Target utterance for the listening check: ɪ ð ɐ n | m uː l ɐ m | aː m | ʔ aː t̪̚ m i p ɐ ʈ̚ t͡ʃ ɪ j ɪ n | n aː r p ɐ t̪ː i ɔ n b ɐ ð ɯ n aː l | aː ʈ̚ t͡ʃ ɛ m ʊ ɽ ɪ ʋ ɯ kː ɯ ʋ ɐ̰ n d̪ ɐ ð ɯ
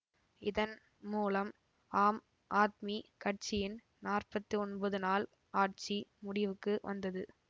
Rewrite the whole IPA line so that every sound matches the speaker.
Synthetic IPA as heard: ɪ ð ɐ n | m uː l ɐ m | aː m | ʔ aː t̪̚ m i k ɐ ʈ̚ t͡ʃ ɪ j ɪ n | n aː r p ɐ t̪ː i ɔ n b ɐ ð ɯ n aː l | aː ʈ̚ t͡ʃ i m ʊ ɽ ɪ ʋ ɯ kː ɯ ʋ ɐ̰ n d̪ ɐ ð ɯ